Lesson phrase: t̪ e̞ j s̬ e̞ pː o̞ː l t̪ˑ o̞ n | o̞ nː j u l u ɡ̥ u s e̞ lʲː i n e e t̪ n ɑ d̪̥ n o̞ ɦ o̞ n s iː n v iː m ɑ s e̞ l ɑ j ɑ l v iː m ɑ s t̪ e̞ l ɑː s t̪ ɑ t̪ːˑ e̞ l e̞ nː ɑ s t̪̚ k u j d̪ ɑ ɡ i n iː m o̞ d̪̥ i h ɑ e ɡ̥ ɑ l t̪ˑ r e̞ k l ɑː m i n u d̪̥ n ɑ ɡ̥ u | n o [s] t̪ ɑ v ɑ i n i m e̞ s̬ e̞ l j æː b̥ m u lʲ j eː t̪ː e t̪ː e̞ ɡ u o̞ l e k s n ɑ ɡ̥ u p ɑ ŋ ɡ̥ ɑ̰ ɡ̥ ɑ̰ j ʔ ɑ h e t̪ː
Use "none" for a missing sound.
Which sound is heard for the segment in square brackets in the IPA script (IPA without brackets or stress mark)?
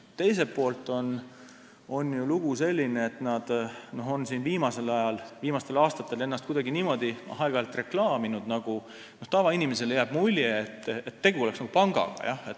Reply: h